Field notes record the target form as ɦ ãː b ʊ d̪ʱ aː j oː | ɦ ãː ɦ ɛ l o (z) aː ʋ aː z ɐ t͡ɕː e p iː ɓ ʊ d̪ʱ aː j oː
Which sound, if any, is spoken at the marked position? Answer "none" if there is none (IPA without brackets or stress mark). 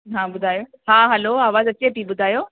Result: none